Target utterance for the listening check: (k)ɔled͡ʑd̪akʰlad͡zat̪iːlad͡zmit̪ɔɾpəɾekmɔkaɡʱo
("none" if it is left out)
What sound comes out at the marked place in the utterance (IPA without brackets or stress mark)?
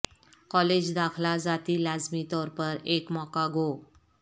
k